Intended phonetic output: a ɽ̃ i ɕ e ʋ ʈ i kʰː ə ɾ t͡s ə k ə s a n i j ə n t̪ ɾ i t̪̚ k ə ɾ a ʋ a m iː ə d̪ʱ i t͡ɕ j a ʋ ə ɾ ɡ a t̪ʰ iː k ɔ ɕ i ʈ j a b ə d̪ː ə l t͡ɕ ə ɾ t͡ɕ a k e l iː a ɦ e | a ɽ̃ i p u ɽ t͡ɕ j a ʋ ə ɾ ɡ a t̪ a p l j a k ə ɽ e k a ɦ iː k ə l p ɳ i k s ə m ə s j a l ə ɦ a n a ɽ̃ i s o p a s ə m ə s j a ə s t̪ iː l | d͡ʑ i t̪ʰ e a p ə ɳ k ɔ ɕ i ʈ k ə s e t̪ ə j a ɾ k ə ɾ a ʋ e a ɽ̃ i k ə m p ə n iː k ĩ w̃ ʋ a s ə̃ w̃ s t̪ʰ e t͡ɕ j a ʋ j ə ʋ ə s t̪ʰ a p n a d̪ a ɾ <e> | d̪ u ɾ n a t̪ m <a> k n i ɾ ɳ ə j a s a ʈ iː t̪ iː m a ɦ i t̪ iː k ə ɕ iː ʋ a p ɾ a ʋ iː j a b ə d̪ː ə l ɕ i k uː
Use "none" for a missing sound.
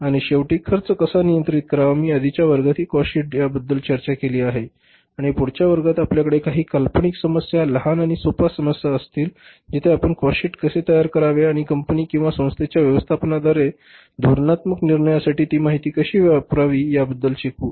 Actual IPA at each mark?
e, ə

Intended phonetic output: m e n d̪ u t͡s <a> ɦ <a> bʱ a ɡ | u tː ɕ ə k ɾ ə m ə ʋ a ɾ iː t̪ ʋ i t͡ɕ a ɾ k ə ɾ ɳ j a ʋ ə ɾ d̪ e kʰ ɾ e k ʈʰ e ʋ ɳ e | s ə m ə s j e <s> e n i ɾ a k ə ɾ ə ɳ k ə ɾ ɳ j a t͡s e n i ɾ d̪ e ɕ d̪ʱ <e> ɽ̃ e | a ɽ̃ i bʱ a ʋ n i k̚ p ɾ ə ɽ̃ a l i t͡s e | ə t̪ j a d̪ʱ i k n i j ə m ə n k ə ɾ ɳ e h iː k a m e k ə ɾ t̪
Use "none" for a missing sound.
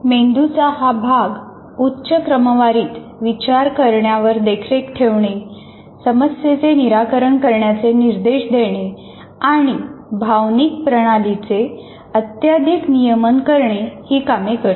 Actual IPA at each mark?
a, a, t͡s, e

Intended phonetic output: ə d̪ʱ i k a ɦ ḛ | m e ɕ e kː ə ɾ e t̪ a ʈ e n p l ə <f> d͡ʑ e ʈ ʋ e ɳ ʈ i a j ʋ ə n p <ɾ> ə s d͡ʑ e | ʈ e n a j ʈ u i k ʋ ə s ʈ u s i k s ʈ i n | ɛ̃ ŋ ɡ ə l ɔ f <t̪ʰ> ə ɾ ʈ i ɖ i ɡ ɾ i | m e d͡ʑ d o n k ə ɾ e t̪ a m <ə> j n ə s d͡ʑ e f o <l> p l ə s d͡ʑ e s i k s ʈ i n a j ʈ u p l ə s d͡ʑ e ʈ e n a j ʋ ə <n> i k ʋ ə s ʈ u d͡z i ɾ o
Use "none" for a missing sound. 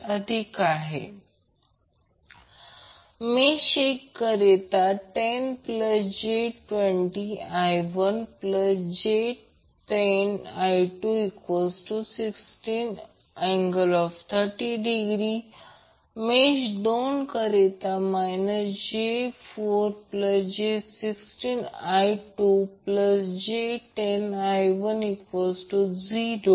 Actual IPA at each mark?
s, l, t̪ʰ, a, ɾ, n

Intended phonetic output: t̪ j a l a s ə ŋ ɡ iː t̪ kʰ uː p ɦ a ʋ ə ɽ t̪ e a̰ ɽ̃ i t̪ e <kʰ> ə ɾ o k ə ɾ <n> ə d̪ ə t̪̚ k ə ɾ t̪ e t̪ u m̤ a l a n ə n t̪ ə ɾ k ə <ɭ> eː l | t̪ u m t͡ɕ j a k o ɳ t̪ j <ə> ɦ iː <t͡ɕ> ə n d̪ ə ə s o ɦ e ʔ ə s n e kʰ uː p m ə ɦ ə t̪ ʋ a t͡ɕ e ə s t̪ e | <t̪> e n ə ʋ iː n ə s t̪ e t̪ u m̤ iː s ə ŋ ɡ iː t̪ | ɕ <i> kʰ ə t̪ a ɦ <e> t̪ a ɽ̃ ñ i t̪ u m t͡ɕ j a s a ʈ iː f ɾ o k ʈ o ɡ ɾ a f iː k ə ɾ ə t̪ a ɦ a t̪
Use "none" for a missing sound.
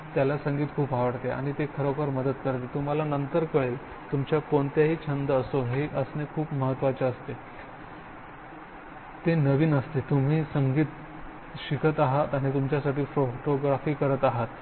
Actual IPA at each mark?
kʰ, m, ɭ, a, t͡ɕʰ, t̪, i, a

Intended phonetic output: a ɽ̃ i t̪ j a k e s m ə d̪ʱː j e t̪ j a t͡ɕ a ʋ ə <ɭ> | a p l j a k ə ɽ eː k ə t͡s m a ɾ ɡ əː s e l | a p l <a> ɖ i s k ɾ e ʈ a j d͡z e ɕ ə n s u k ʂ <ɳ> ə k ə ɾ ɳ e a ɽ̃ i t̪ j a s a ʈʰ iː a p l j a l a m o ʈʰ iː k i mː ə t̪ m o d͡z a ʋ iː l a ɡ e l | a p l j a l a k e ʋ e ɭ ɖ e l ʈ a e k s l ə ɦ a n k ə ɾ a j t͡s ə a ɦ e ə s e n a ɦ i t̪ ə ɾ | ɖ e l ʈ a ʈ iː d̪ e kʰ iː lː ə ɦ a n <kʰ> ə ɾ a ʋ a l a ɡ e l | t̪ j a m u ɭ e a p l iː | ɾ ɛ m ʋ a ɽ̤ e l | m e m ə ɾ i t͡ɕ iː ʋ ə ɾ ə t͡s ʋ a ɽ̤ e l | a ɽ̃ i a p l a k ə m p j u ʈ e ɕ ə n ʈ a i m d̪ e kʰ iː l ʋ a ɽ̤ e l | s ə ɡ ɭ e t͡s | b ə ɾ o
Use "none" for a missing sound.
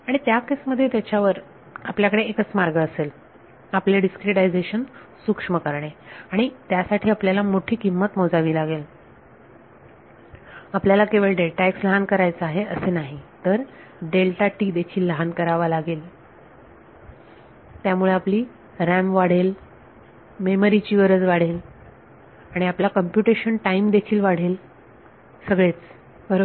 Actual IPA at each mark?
ɾ, e, m, k

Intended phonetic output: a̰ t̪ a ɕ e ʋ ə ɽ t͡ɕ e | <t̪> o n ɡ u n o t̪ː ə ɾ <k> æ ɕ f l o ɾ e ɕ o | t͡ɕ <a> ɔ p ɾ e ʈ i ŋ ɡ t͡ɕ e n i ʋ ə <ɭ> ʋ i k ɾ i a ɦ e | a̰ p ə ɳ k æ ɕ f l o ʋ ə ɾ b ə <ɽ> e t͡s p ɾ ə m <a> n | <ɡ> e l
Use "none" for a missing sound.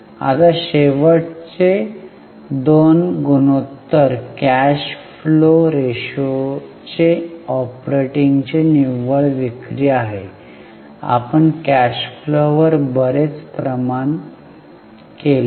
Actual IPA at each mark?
d̪, k, e, ɭ, ɾ, a, k

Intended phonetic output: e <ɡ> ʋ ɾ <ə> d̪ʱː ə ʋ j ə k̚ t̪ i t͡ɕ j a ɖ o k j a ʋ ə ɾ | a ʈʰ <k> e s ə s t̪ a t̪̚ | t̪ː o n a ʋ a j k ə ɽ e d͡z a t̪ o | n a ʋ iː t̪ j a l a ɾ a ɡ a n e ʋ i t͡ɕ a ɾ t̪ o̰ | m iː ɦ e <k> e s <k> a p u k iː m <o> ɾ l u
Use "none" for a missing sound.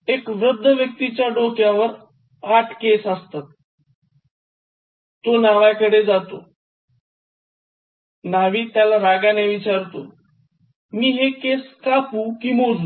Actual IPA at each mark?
k, ə, k, k, k, o

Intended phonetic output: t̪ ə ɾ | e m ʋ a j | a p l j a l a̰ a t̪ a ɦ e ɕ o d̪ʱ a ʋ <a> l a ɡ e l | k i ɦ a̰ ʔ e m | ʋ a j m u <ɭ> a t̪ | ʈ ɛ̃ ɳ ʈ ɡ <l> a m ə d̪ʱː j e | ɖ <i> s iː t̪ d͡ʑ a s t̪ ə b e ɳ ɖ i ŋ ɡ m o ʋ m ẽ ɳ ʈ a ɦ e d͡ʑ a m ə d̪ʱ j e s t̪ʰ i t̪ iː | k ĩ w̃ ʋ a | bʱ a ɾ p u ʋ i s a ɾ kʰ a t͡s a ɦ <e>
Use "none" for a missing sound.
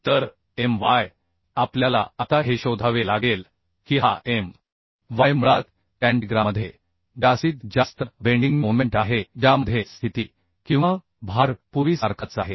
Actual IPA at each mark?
e, ɭ, ɾ, a, e

